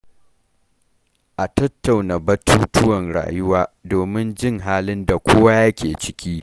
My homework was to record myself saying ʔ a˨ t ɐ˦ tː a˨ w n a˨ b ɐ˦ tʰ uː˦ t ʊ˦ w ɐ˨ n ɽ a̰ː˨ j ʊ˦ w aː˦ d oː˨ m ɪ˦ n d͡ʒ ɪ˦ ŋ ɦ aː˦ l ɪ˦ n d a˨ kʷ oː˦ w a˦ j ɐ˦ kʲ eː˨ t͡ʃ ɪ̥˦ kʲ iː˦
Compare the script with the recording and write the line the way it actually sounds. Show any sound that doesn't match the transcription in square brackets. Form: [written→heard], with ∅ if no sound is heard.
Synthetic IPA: ʔ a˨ t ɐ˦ tː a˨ w n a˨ b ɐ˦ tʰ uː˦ t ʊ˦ w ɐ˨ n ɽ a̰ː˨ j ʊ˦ w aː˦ d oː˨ m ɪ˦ n d͡ʒ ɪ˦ ŋ ɦ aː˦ l ɪ˦ n d a˨ kʷ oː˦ w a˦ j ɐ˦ kʲ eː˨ t͡ʃ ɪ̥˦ kʲ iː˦